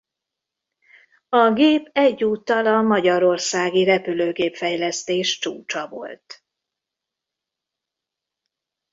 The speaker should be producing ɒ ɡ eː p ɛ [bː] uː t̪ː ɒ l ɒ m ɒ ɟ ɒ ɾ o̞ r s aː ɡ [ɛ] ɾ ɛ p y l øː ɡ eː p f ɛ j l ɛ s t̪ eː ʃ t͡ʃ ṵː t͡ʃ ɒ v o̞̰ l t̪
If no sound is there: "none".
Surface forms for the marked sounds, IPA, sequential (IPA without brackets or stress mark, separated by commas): ɟː, i